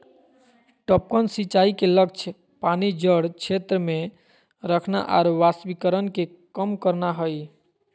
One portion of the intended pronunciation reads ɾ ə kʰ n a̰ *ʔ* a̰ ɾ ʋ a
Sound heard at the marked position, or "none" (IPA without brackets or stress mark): ʔ